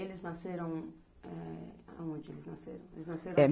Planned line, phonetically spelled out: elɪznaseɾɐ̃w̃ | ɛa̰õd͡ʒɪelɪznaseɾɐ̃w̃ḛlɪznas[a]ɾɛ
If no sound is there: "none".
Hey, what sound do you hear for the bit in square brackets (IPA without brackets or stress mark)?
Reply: e